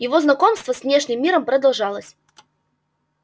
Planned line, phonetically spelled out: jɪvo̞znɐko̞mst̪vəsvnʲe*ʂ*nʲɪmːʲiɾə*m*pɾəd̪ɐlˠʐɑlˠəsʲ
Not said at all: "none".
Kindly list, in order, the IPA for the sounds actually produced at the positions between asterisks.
ʂ, m

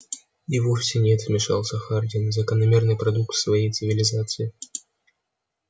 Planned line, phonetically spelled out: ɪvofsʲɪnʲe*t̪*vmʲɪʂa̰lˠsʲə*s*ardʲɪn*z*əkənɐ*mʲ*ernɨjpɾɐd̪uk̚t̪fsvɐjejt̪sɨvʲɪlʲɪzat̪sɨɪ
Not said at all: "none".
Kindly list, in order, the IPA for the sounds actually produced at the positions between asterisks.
t̪, x, z, mʲ

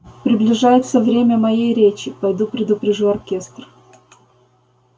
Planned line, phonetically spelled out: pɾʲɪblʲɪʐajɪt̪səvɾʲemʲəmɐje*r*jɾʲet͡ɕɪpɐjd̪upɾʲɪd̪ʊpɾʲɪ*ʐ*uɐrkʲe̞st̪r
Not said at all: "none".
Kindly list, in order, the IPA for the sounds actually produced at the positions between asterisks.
none, ʐ

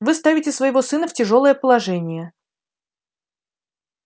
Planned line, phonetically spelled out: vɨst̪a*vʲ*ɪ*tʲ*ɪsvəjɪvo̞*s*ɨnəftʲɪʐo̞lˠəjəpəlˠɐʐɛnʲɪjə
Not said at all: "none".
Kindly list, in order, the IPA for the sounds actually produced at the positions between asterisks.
vʲ, tʲ, s

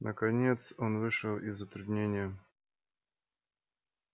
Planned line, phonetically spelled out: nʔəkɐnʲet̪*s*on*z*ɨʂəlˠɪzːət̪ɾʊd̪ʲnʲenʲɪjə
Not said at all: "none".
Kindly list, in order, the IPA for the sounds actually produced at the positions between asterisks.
s, v

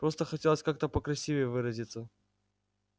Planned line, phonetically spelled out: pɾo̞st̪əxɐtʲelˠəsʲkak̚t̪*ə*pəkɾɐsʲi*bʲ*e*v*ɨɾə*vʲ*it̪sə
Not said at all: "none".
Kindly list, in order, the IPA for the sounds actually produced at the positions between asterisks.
ə, vʲ, v, zʲ

